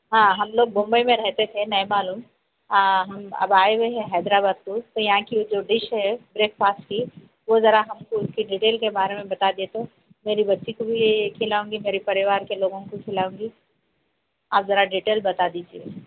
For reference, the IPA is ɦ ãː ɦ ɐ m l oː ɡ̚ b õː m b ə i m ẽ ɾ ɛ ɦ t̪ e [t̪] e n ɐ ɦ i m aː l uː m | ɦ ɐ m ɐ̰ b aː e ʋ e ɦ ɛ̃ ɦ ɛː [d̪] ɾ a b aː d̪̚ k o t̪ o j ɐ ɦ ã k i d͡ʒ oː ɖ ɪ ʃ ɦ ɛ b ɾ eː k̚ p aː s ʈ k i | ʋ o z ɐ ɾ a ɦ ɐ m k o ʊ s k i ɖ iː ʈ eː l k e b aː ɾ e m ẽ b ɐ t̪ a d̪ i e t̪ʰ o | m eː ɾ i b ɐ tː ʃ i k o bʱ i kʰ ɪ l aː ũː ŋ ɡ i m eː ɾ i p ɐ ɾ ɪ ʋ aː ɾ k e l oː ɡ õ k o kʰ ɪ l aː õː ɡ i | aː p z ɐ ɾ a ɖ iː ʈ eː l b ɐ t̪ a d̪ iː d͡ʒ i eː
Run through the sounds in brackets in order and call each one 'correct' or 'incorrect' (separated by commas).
incorrect, correct